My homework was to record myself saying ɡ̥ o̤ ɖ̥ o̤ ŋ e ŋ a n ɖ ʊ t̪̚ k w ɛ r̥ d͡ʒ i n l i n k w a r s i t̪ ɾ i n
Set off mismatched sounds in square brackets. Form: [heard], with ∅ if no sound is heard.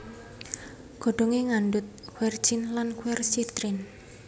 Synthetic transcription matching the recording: ɡ̥ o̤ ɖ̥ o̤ ŋ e ŋ a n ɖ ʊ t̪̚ k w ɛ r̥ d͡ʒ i n l [a] n k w [ɛ] r s i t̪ ɾ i n